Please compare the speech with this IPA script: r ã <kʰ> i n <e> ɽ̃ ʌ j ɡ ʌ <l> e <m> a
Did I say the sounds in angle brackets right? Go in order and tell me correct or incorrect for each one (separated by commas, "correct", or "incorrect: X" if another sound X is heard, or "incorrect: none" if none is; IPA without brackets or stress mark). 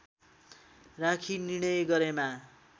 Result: correct, incorrect: i, incorrect: ɾ, correct